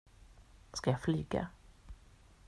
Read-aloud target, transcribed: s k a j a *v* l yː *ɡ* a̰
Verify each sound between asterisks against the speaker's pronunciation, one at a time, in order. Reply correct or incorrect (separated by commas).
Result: incorrect, correct